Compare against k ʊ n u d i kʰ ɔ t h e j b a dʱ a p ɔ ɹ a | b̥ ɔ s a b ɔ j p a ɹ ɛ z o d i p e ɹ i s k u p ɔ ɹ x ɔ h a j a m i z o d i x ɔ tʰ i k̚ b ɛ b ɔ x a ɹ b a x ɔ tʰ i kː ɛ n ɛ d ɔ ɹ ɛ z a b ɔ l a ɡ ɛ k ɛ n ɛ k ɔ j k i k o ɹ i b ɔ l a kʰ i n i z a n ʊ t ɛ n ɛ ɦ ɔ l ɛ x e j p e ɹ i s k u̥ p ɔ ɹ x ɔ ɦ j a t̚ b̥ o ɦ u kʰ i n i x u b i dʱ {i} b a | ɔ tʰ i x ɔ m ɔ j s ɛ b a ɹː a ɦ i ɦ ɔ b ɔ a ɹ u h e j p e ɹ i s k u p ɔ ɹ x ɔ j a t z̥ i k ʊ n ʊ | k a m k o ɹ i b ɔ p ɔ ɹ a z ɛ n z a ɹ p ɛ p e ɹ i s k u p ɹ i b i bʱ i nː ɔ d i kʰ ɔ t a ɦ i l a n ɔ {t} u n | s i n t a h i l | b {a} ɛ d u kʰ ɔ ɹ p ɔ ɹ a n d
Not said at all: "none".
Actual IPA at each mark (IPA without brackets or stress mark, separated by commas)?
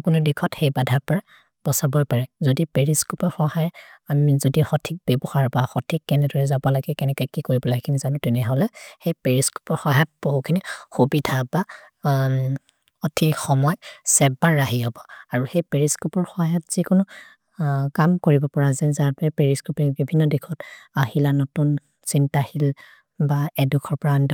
a, t, a